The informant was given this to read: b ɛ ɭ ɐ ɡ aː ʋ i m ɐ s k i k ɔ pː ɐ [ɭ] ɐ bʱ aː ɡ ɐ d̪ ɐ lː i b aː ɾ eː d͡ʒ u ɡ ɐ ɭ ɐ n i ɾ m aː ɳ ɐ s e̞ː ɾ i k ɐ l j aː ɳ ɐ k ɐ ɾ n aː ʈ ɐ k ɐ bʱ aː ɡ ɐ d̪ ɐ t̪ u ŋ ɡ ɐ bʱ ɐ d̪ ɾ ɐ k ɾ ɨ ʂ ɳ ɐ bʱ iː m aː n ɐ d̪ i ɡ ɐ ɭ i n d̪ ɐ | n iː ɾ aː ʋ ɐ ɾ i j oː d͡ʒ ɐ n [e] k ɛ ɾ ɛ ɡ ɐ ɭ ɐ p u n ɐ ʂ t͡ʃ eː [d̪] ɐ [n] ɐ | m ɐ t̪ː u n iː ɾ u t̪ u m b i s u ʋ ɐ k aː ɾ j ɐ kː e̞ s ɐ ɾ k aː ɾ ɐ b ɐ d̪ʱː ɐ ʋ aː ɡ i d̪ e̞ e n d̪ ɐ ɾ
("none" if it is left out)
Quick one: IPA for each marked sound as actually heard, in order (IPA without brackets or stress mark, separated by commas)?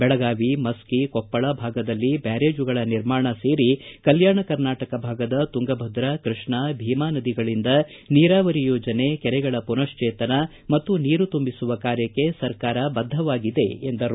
ɭ, e, t̪, n